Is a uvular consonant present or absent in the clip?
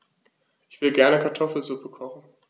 present